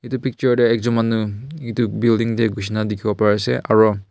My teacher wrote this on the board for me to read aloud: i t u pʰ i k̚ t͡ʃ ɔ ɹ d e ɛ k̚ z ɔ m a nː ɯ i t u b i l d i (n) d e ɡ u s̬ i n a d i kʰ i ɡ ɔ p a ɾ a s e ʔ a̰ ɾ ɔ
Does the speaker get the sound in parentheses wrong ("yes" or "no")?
yes